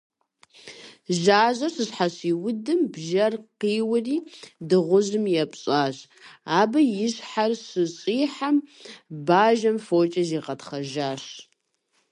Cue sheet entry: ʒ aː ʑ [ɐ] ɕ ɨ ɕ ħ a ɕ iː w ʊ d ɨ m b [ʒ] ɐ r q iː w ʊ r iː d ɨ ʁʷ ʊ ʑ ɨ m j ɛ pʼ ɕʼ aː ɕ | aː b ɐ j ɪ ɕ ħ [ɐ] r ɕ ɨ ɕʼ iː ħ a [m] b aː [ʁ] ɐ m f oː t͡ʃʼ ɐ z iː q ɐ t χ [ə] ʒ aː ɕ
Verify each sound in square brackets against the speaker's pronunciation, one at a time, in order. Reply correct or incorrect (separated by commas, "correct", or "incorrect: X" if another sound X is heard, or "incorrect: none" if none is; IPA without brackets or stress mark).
correct, correct, incorrect: a, correct, incorrect: ʒ, incorrect: ɐ